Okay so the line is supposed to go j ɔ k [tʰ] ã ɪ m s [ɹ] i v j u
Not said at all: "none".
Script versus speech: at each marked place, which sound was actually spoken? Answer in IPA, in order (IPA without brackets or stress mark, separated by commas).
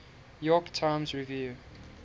tʰ, ɹ